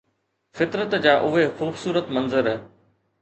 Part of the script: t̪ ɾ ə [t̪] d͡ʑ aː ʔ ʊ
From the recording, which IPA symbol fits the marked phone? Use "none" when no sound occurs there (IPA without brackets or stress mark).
t̪